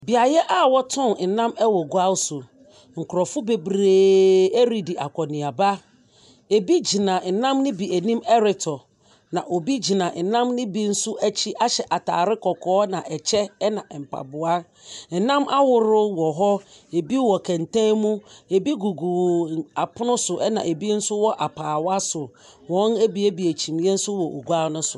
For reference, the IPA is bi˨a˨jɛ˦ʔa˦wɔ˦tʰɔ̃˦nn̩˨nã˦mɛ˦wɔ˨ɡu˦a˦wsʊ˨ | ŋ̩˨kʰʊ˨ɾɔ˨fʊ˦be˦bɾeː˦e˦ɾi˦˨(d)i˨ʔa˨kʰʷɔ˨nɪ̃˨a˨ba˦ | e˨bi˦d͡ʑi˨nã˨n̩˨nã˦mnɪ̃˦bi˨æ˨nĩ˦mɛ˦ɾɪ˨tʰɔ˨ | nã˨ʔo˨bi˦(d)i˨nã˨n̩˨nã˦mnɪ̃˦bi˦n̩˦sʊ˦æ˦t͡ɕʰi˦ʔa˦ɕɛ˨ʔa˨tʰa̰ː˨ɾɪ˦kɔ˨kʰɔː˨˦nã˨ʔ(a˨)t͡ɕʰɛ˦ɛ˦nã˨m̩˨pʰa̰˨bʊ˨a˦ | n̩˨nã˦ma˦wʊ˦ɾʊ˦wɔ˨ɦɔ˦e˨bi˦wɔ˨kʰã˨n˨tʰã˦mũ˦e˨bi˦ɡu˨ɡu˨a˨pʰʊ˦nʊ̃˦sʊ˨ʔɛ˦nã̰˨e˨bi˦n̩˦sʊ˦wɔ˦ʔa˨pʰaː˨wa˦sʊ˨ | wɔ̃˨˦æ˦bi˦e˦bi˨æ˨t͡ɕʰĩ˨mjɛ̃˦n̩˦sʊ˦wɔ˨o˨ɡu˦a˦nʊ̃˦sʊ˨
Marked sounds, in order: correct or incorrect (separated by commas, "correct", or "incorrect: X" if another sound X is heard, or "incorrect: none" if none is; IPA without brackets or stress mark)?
correct, incorrect: d͡ʑ, incorrect: ɛ˨